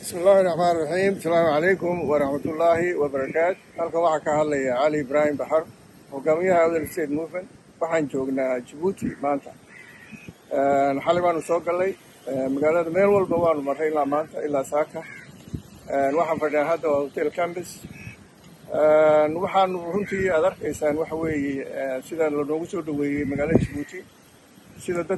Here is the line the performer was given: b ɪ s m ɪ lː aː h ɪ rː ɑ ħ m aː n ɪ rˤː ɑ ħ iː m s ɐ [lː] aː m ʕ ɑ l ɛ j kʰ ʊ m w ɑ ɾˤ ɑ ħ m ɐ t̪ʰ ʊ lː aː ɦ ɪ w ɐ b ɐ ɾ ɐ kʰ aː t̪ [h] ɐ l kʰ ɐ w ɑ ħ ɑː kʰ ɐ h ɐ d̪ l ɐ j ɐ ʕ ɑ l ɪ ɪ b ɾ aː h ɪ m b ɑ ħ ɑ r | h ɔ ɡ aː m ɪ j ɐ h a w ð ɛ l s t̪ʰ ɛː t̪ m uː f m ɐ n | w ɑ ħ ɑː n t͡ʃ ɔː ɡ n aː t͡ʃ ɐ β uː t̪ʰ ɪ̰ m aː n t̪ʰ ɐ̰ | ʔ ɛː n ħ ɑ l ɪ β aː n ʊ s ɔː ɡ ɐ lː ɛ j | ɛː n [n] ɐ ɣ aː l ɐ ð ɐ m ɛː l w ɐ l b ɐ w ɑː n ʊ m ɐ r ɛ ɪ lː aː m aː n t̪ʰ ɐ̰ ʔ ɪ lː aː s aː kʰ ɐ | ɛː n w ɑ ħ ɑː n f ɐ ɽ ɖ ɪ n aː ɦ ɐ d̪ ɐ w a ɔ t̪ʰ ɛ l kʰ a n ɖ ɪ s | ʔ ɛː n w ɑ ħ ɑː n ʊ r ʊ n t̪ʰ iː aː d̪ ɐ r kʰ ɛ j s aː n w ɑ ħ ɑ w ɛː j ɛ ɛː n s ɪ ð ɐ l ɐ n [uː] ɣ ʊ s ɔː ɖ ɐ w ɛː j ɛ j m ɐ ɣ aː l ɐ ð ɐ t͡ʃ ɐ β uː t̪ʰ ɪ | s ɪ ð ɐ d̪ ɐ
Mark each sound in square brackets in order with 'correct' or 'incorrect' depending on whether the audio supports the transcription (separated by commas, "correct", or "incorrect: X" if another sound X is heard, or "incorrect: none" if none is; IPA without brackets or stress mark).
incorrect: l, correct, incorrect: m, incorrect: ɔː